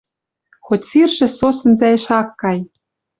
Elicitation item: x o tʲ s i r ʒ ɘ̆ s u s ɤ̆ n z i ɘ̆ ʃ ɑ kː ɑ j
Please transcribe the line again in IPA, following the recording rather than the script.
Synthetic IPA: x o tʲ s i r ʒ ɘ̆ s o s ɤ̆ n z æ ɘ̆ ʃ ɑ kː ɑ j